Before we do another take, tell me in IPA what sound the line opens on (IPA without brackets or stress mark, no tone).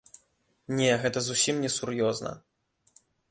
nʲ